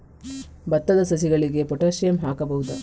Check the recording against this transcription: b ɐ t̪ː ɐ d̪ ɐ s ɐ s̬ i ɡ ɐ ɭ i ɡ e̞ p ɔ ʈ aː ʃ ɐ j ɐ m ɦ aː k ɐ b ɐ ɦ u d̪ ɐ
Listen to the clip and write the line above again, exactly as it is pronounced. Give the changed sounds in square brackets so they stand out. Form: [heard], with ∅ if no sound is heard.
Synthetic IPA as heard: b ɐ t̪ː ɐ d̪ ɐ s ɐ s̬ i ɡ ɐ ɭ i ɡ e̞ p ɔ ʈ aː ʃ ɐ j ɐ m ɦ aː k ɐ b ɐ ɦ u d̪ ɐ